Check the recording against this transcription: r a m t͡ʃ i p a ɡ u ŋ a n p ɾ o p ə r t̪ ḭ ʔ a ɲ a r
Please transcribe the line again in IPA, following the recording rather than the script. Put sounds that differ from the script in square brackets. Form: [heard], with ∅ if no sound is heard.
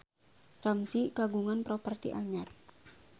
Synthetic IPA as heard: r a m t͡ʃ i [k] a ɡ u ŋ a n p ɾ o p ə r t̪ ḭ ʔ a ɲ a r